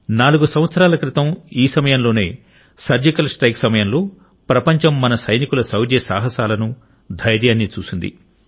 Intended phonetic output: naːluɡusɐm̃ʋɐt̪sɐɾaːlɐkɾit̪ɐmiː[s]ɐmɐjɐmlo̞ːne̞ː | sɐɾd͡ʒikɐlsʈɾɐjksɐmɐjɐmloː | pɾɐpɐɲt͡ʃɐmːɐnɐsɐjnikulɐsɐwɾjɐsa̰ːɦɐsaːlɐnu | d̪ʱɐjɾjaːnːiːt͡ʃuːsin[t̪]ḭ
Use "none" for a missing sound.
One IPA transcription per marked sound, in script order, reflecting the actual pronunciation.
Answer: s, d̪

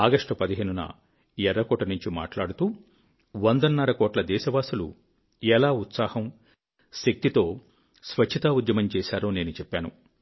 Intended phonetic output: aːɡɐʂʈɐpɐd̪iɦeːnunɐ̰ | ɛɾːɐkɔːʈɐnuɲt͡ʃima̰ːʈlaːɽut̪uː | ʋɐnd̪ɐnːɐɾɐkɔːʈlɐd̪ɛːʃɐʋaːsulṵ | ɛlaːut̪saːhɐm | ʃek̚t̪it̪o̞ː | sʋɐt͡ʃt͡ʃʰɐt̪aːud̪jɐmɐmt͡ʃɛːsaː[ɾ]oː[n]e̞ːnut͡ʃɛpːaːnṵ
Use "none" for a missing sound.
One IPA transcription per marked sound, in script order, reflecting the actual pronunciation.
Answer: ɾ, n

